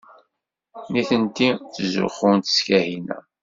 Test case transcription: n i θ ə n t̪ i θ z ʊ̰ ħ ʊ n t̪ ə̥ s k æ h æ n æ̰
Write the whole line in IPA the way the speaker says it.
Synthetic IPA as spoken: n i θ ə n t̪ i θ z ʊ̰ χ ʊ n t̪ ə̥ s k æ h i n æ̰